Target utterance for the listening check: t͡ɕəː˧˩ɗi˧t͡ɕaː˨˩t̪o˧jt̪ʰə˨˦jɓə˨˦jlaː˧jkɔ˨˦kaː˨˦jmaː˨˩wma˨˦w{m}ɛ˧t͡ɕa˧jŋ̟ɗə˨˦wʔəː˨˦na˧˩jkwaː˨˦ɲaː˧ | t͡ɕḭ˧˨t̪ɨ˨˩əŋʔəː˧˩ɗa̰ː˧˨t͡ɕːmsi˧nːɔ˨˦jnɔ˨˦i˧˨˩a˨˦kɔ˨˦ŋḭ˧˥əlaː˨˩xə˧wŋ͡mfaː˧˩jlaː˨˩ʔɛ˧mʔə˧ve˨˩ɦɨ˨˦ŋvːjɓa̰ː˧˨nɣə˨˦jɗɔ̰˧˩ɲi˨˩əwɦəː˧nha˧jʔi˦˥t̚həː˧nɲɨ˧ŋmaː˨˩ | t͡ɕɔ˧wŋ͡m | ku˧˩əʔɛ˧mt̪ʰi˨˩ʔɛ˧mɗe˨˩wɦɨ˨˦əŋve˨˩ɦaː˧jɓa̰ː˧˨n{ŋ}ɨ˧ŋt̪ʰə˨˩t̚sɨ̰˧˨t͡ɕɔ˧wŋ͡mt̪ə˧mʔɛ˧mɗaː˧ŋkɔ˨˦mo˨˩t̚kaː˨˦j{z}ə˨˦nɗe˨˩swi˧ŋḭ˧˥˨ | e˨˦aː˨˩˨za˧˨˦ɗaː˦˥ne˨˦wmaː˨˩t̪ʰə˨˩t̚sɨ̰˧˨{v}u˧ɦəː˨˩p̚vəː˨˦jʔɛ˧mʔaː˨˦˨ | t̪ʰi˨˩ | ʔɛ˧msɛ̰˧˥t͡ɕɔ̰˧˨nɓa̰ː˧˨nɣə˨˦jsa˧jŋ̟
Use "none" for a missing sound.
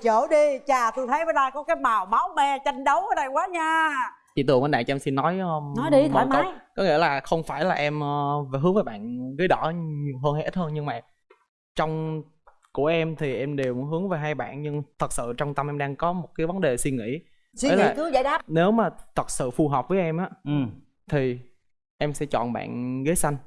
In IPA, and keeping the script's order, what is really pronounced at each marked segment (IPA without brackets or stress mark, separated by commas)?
m, ɲ, v, f